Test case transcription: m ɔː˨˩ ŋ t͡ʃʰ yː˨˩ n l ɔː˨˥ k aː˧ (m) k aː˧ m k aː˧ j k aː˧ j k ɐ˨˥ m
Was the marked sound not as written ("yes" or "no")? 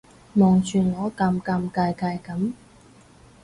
no